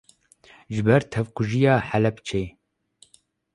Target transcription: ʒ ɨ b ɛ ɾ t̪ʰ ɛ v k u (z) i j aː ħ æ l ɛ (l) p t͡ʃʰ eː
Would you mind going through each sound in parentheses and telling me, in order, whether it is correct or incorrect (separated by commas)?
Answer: incorrect, incorrect